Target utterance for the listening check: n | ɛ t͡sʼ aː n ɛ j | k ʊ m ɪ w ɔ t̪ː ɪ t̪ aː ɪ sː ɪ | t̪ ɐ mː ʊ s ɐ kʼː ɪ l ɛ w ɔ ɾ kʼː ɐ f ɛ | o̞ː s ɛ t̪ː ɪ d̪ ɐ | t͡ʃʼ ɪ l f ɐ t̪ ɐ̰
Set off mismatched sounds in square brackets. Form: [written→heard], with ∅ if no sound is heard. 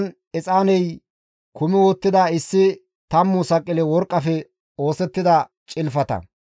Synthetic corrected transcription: n | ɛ t͡sʼ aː n ɛ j | k ʊ m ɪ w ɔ t̪ː ɪ [t̪→d̪] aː ɪ sː ɪ | t̪ ɐ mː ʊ s ɐ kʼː ɪ l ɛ w ɔ ɾ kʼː ɐ f ɛ | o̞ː s ɛ t̪ː ɪ d̪ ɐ | t͡ʃʼ ɪ l f ɐ t̪ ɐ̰